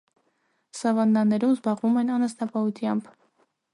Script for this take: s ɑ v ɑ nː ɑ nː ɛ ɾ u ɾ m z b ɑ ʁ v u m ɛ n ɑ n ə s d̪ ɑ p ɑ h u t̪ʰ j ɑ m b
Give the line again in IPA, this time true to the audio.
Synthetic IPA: s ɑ v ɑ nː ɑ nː ɛ ɾ u m z b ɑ ʁ v u m ɛ n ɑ n ə s t̪ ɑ p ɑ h u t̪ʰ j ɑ m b